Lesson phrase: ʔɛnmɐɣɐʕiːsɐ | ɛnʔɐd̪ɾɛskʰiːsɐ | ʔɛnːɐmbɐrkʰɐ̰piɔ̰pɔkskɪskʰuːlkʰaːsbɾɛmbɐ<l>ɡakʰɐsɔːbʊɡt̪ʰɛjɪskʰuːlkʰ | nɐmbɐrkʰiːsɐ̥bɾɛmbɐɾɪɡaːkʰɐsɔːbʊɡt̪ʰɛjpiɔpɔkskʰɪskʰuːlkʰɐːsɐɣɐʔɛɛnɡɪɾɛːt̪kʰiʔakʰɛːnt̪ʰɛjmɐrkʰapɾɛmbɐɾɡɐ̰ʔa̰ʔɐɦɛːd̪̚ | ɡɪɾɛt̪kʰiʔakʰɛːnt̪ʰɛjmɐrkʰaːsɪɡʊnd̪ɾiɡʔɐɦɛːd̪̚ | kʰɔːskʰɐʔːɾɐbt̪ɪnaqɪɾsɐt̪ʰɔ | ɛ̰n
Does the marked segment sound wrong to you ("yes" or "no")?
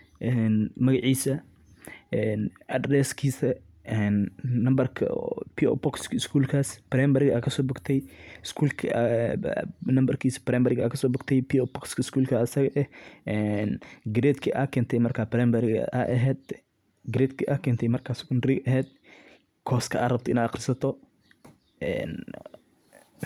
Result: yes